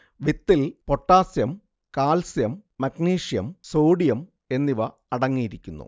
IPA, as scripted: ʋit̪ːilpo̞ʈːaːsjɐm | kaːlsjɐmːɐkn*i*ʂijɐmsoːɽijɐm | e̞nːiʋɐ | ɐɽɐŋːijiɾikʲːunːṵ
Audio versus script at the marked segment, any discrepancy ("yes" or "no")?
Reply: yes